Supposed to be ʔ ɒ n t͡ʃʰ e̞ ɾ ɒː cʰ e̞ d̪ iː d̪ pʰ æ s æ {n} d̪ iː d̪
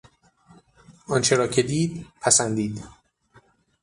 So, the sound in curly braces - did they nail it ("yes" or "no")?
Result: yes